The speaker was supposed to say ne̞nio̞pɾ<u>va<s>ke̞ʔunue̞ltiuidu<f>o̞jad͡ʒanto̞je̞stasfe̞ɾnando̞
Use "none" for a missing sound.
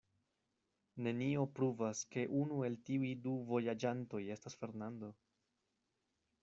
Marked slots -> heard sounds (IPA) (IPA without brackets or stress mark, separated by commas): u, s, v